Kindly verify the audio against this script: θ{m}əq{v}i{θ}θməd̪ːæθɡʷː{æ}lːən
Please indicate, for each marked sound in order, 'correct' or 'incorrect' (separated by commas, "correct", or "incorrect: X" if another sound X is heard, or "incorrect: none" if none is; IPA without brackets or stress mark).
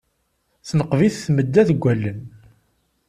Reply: incorrect: n, correct, correct, correct